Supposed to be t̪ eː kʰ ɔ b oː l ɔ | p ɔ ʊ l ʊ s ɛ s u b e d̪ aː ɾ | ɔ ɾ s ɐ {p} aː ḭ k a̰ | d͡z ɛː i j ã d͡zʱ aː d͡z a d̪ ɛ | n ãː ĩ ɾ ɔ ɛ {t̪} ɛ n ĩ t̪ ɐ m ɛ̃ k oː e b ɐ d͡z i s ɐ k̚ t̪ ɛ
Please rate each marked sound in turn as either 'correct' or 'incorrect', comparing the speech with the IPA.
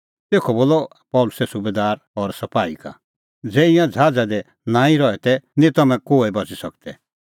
correct, correct

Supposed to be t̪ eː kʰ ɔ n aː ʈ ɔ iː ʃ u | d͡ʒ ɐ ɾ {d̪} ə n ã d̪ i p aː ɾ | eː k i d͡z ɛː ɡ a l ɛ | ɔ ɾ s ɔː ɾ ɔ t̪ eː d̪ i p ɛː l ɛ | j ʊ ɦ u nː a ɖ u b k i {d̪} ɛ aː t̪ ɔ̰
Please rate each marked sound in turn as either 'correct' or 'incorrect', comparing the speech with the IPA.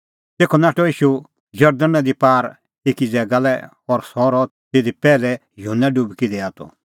correct, correct

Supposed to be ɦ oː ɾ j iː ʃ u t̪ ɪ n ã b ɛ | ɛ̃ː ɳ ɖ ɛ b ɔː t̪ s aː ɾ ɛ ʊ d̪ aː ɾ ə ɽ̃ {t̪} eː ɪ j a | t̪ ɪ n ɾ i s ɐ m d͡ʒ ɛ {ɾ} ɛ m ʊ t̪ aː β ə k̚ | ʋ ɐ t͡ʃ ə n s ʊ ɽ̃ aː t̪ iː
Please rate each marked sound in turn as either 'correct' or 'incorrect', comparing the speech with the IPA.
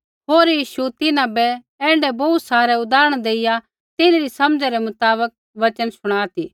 incorrect: d̪, correct

